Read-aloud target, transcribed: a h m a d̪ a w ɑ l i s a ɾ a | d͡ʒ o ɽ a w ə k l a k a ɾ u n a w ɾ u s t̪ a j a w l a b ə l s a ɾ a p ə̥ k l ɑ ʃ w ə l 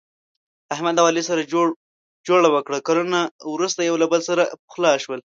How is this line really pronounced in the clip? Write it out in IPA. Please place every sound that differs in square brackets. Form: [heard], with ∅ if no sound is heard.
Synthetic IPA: a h m a d̪ a w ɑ l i s a ɾ a | d͡ʒ o ɽ a w ə k [ɽ] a k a ɾ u n a w ɾ u s t̪ a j a w l a b ə l s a ɾ a p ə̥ [x] l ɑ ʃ w ə l